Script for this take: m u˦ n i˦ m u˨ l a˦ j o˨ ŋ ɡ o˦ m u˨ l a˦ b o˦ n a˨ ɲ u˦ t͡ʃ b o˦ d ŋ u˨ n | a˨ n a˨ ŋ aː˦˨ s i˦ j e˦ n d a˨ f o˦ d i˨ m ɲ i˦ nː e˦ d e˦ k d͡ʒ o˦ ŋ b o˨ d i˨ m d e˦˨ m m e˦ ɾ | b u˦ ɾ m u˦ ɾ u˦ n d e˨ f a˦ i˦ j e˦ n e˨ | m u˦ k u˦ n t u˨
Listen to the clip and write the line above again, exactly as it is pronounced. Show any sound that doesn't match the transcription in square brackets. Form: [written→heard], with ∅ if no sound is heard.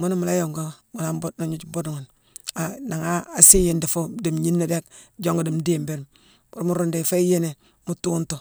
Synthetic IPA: m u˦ n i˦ m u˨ l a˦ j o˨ ŋ ɡ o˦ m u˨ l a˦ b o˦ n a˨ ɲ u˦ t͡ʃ b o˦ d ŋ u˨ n | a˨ n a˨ ŋ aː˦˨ s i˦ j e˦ n d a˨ f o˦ d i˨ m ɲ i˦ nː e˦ d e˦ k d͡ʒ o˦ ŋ [b→ɡ] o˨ d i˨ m d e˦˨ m [m→b] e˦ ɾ | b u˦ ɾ m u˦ ɾ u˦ n d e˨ f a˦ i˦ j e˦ n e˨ | m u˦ [k→t] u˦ n t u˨